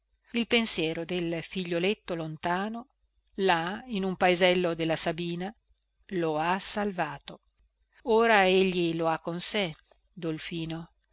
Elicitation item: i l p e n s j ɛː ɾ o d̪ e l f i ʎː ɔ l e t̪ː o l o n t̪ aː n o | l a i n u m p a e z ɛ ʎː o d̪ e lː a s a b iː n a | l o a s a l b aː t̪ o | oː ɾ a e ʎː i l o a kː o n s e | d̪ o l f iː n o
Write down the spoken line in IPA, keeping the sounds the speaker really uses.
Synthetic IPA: i l p e n s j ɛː ɾ o d̪ e l f i ʎː o l e t̪ː o l o n t̪ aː n o | l a i n u m p a e z ɛ lː o d̪ e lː a s a b iː n a | l o a s a l v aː t̪ o | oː ɾ a e ʎː i l o a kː o n s e | d̪ o l f iː n o